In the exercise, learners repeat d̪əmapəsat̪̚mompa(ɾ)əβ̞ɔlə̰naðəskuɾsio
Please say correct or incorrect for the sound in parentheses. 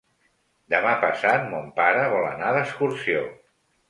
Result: correct